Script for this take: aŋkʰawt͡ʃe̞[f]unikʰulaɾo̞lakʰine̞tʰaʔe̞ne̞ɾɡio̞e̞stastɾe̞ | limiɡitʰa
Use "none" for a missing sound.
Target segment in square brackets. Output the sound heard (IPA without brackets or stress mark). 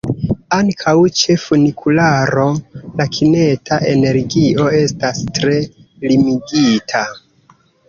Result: f